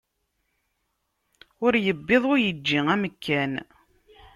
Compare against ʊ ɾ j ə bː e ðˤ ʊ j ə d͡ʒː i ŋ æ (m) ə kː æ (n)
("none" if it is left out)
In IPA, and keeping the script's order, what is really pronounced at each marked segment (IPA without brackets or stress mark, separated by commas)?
m, n